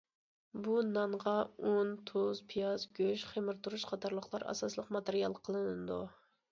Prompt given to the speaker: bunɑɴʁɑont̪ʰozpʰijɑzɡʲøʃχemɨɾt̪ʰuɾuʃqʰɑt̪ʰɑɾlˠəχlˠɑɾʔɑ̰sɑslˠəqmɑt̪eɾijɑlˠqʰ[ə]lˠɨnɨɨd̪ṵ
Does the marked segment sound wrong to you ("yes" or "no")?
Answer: no